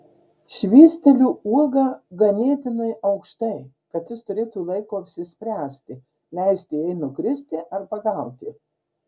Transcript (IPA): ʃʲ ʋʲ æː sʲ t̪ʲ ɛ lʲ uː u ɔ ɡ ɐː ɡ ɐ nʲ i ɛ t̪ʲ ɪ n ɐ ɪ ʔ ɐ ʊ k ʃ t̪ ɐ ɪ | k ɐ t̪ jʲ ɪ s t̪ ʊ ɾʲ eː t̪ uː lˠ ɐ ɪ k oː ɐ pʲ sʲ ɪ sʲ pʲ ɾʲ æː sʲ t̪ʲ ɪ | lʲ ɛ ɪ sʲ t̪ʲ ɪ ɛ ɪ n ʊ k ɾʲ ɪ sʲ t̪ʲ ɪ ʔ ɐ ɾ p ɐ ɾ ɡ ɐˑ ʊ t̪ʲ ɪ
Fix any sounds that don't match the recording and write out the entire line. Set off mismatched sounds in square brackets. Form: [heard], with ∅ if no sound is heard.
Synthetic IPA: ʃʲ ʋʲ [iː] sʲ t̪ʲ ɛ lʲ uː u ɔ ɡ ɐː ɡ ɐ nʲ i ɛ t̪ʲ ɪ n ɐ ɪ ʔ ɐ ʊ k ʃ t̪ ɐ ɪ | k ɐ t̪ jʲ ɪ s t̪ ʊ ɾʲ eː t̪ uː lˠ ɐ ɪ k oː ɐ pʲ sʲ ɪ sʲ pʲ ɾʲ æː sʲ t̪ʲ ɪ | lʲ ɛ ɪ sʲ t̪ʲ ɪ ɛ ɪ n ʊ k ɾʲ ɪ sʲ t̪ʲ ɪ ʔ ɐ ɾ p ɐ [∅] ɡ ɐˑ ʊ t̪ʲ ɪ

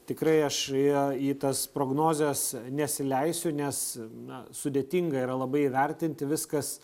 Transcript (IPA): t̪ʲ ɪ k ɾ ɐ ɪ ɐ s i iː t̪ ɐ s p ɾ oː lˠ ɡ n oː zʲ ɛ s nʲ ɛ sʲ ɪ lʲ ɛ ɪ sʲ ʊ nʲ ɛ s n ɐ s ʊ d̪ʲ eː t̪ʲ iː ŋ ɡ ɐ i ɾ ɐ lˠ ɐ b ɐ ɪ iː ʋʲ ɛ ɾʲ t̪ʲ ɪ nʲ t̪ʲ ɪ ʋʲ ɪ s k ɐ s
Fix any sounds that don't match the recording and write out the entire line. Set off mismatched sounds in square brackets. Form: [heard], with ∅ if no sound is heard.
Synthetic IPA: t̪ʲ ɪ k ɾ ɐ ɪ ɐ [ʃ] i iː t̪ ɐ s p ɾ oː [∅] ɡ n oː zʲ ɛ s nʲ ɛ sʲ ɪ lʲ ɛ ɪ sʲ ʊ nʲ ɛ s n ɐ s ʊ d̪ʲ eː t̪ʲ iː ŋ ɡ ɐ i ɾ ɐ lˠ ɐ b ɐ ɪ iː ʋʲ ɛ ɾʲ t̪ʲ ɪ nʲ t̪ʲ ɪ ʋʲ ɪ s k ɐ s

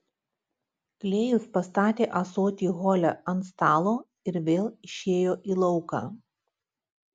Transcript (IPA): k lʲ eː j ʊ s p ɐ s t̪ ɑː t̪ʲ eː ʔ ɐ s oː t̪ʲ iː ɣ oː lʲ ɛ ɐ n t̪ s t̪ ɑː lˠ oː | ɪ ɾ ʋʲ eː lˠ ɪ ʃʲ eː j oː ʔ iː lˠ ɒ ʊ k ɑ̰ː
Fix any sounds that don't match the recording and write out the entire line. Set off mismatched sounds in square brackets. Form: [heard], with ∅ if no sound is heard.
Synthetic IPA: k lʲ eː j ʊ s p ɐ s t̪ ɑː t̪ʲ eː ʔ ɐ s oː t̪ʲ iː ɣ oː lʲ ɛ ɐ n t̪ s t̪ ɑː lˠ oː | ɪ ɾ ʋʲ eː lˠ ɪ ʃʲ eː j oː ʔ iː lˠ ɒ ʊ k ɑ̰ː

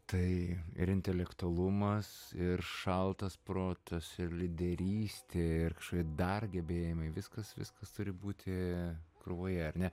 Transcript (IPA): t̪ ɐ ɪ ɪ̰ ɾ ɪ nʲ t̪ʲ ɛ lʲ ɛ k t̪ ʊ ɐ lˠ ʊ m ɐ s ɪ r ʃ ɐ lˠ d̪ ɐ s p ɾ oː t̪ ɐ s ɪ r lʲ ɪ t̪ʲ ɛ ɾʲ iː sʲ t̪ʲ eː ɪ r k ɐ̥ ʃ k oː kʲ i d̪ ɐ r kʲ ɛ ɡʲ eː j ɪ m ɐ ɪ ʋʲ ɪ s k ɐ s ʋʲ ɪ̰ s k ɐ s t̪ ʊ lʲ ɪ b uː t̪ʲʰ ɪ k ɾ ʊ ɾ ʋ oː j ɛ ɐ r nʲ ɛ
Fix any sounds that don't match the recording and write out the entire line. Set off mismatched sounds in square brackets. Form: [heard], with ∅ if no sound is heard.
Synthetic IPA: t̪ ɐ ɪ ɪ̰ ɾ ɪ nʲ t̪ʲ ɛ lʲ ɛ k t̪ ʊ ɐ lˠ ʊ m ɐ s ɪ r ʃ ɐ lˠ [t̪] ɐ s p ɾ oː t̪ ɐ s ɪ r lʲ ɪ [d̪ʲ] ɛ ɾʲ iː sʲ t̪ʲ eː ɪ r k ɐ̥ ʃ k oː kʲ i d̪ ɐ r [ɡʲ] ɛ [bʲ] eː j ɪ m ɐ ɪ ʋʲ ɪ s k ɐ s ʋʲ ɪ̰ s k ɐ s t̪ ʊ [ɾʲ] ɪ b uː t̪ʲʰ ɪ k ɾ ʊ [∅] ʋ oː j ɛ ɐ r nʲ ɛ

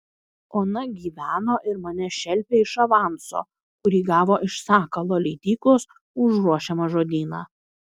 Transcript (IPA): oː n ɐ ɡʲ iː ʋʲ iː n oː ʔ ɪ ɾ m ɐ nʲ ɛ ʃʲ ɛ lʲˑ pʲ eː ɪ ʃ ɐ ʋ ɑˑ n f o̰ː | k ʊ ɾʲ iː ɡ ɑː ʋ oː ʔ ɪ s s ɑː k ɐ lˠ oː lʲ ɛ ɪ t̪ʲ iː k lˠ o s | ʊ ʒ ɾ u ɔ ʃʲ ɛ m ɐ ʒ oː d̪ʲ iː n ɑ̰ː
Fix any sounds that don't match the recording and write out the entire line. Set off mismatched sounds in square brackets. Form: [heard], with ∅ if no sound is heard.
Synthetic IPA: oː n ɐ ɡʲ iː ʋʲ [æː] n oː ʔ ɪ ɾ m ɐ nʲ ɛ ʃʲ ɛ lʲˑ pʲ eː ɪ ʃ ɐ ʋ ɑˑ n [s] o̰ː | k ʊ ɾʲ iː ɡ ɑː ʋ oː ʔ ɪ [ʃ] s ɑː k ɐ lˠ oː lʲ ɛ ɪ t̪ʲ iː k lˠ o s | ʊ ʒ ɾ u ɔ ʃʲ ɛ m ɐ ʒ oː d̪ʲ iː n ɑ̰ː

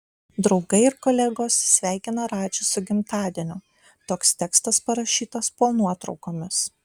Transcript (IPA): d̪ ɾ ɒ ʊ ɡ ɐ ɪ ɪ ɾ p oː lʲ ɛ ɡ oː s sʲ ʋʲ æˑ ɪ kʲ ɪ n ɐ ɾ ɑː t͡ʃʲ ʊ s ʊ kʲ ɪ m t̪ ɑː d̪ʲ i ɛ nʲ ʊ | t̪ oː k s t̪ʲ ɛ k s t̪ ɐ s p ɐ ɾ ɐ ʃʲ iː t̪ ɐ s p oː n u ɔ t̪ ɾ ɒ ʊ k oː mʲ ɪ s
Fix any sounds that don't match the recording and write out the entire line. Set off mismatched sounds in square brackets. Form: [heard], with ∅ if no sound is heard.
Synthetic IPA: d̪ ɾ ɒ ʊ ɡ ɐ ɪ ɪ ɾ [k] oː lʲ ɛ ɡ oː s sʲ ʋʲ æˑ ɪ kʲ ɪ n ɐ ɾ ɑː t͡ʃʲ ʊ s ʊ [ɡʲ] ɪ m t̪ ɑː d̪ʲ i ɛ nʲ ʊ | t̪ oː k s t̪ʲ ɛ k s t̪ ɐ s p ɐ ɾ ɐ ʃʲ iː t̪ ɐ s p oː n u ɔ t̪ ɾ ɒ ʊ k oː mʲ ɪ s

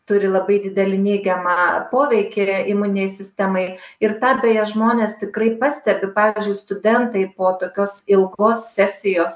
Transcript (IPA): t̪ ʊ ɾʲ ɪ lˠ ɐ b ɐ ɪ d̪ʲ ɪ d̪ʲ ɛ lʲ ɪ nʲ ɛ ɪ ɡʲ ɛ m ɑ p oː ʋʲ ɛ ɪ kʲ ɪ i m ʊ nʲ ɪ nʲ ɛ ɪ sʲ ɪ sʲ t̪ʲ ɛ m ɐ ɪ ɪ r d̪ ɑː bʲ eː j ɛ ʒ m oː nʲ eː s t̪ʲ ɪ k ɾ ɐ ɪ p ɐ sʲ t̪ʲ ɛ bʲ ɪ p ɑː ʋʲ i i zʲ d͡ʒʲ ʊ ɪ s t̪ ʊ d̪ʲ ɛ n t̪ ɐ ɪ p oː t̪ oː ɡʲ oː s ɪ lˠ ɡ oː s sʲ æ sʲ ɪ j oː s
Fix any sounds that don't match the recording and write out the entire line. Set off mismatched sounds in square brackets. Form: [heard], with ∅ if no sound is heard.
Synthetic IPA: t̪ ʊ ɾʲ ɪ lˠ ɐ b ɐ ɪ d̪ʲ ɪ d̪ʲ ɛ lʲ ɪ nʲ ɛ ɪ ɡʲ ɛ m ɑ p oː ʋʲ ɛ ɪ kʲ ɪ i m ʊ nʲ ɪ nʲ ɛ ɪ sʲ ɪ sʲ t̪ʲ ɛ m ɐ ɪ ɪ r [t̪] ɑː bʲ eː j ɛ ʒ m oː nʲ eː s t̪ʲ ɪ k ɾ ɐ ɪ p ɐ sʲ t̪ʲ ɛ bʲ ɪ p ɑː ʋʲ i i zʲ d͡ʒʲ ʊ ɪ s t̪ ʊ d̪ʲ ɛ n t̪ ɐ ɪ p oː t̪ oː [kʲ] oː s ɪ lˠ ɡ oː s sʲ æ sʲ ɪ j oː s

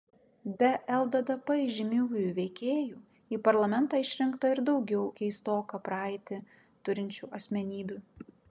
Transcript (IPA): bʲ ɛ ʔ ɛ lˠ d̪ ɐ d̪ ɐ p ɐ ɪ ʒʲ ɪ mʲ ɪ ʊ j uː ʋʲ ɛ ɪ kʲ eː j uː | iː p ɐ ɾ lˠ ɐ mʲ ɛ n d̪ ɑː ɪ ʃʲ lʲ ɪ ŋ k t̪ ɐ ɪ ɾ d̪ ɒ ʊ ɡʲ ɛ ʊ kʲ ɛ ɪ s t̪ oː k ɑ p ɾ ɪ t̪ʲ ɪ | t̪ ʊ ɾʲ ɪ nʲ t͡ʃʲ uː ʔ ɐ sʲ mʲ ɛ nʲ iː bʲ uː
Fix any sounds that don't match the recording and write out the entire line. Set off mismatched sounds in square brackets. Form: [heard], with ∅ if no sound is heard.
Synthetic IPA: bʲ ɛ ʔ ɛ lˠ d̪ ɐ d̪ ɐ p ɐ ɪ ʒʲ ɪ mʲ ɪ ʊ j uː ʋʲ ɛ ɪ kʲ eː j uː | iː p ɐ ɾ lˠ ɐ mʲ ɛ n [t̪] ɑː ɪ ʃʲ [ɾʲ] ɪ ŋ k t̪ ɐ ɪ ɾ d̪ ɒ ʊ ɡʲ ɛ ʊ kʲ ɛ ɪ s t̪ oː k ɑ p ɾ ɪ t̪ʲ ɪ | t̪ ʊ ɾʲ ɪ nʲ t͡ʃʲ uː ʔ ɐ sʲ mʲ ɛ nʲ iː bʲ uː

